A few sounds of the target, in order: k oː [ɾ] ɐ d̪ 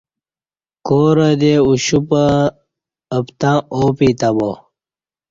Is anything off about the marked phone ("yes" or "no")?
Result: no